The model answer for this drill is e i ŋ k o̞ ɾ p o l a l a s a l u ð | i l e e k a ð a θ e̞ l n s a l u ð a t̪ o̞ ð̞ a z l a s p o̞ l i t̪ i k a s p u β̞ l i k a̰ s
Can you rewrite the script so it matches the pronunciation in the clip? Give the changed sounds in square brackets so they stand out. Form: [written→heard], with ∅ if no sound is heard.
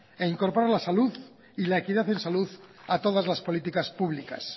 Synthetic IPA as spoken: e i ŋ k o̞ ɾ p o [l→ɾ] a l a s a l u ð | i l [e→a] e k [a→i] ð a θ e̞ [l→∅] n s a l u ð a t̪ o̞ ð̞ a z l a s p o̞ l i t̪ i k a s p u β̞ l i k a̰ s